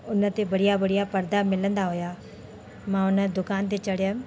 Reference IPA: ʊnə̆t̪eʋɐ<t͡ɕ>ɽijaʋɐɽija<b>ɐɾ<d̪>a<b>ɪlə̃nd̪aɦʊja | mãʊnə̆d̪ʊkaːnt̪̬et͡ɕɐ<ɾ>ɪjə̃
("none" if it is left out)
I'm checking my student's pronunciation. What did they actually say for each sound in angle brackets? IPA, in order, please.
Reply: none, p, d̪, m, ɽ

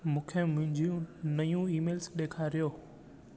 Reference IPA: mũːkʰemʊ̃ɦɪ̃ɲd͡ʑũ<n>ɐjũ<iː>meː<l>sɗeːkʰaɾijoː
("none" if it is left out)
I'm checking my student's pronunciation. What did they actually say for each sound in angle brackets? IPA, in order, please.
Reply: n, iː, l

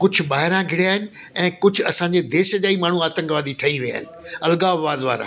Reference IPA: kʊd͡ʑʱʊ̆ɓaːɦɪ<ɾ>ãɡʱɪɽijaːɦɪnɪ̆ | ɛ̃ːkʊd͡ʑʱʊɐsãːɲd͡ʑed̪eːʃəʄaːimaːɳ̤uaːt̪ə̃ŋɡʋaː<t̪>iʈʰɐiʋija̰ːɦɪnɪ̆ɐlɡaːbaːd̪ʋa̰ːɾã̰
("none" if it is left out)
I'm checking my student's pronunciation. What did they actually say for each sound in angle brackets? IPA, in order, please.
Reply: ɾ, d̪

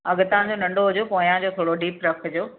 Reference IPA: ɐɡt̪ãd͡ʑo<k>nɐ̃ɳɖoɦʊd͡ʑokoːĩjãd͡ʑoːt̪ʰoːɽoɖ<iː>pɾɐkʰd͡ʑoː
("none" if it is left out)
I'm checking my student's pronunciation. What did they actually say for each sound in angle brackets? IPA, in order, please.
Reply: none, iː

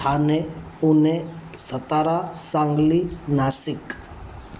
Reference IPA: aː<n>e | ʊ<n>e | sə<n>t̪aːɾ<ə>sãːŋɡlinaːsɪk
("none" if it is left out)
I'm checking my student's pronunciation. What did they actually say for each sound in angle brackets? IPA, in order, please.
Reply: n, n, none, a

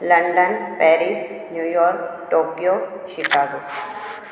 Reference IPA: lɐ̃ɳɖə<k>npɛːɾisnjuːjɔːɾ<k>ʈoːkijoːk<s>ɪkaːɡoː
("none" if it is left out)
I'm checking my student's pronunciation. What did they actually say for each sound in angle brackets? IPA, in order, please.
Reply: none, k, ʃ

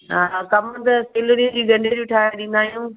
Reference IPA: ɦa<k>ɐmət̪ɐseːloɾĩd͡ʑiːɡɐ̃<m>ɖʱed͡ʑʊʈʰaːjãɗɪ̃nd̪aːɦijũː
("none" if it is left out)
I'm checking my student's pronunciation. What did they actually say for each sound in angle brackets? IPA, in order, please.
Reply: k, ɳ

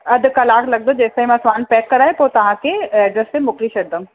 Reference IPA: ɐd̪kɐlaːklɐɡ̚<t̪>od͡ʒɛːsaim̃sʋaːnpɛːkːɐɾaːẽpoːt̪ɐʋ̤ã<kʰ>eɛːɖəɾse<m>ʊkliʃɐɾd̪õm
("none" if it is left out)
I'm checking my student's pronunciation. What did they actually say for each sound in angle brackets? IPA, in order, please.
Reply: d̪, k, m

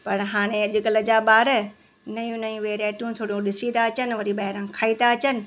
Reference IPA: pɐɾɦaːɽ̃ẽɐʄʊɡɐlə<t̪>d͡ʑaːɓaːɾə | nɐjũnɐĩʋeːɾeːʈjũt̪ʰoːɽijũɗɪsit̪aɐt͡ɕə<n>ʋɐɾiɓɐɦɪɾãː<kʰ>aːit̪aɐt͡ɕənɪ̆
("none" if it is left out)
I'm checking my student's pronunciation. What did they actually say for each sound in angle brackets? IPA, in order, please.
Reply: none, n, kʰ

